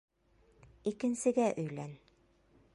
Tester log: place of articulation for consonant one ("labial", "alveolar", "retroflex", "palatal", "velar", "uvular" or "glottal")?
velar